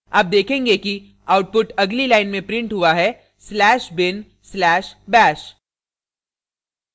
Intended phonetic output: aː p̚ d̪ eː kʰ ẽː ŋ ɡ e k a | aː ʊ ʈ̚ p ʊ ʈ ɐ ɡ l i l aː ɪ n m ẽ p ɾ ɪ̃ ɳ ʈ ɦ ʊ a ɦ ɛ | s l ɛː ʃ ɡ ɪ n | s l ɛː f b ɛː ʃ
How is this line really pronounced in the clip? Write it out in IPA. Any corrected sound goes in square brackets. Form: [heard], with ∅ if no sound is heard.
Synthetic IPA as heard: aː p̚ d̪ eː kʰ ẽː ŋ ɡ e k [i] | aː ʊ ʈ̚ p ʊ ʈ ɐ ɡ l i l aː ɪ n m ẽ p ɾ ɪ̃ ɳ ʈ ɦ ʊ a ɦ ɛ | s l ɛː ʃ [b] ɪ n | s l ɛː [ʃ] b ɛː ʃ

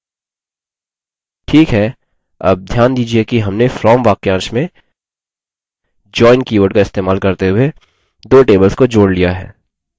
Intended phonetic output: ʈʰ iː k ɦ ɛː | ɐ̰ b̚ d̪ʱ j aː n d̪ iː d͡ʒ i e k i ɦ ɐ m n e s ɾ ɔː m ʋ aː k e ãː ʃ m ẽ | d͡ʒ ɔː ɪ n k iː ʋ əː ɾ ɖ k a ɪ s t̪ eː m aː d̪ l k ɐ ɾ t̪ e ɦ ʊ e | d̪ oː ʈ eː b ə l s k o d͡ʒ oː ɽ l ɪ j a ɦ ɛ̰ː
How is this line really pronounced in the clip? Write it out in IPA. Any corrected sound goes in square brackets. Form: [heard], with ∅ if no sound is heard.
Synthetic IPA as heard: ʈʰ iː k ɦ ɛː | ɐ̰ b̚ d̪ʱ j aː n d̪ iː d͡ʒ i e k i ɦ ɐ m n e [f] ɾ ɔː m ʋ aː k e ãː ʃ m ẽ | d͡ʒ ɔː ɪ n k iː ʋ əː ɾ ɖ k a ɪ s t̪ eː m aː [∅] l k ɐ ɾ t̪ e ɦ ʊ e | d̪ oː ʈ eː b ə l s k o d͡ʒ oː ɽ l [i] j a ɦ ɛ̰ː

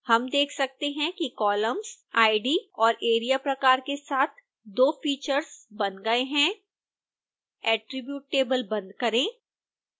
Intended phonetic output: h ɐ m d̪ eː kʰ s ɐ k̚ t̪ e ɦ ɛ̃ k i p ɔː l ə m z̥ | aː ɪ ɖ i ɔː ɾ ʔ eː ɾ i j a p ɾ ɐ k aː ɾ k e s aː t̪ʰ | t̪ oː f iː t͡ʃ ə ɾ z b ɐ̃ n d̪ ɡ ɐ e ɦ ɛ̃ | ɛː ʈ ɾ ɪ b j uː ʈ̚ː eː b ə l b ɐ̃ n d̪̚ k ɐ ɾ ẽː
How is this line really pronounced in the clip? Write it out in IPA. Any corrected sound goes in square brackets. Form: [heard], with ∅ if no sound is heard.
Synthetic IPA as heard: h ɐ m d̪ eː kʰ s ɐ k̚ t̪ e ɦ ɛ̃ k i [k] ɔː l ə m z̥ | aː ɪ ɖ i ɔː ɾ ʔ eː ɾ i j a p ɾ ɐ k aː ɾ k e s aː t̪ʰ | [d̪] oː f iː t͡ʃ ə ɾ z b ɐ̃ n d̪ ɡ ɐ e ɦ ɛ̃ | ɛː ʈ ɾ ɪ b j uː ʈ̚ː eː b ə l b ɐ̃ n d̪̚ k ɐ ɾ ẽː

